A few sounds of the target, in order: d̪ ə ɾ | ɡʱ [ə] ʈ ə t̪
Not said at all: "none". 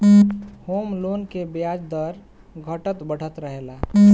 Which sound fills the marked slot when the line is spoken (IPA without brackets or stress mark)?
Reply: ə